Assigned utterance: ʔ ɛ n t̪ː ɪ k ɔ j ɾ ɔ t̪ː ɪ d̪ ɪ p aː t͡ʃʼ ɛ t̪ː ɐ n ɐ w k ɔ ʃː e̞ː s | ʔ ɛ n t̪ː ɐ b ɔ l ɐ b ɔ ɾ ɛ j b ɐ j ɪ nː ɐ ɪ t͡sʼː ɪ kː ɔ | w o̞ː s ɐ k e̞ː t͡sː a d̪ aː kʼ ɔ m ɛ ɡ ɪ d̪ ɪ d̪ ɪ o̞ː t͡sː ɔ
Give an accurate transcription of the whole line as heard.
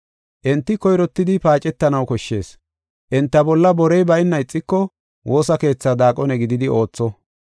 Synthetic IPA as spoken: ʔ ɛ n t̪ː ɪ k ɔ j ɾ ɔ t̪ː ɪ d̪ ɪ p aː t͡ʃʼ ɛ t̪ː ɐ n ɐ w k ɔ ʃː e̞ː s | ʔ ɛ n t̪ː ɐ b ɔ lː ɐ b ɔ ɾ ɛ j b ɐ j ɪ nː ɐ ɪ t͡sʼː ɪ kː ɔ | w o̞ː s ɐ k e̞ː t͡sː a d̪ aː kʼ ɔ n ɛ ɡ ɪ d̪ ɪ d̪ ɪ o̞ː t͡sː ɔ